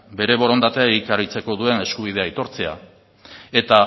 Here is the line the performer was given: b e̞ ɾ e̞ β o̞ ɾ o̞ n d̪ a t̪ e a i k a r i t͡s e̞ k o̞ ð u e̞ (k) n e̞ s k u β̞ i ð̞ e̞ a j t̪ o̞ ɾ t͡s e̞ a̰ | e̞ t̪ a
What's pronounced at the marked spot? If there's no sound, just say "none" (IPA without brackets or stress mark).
none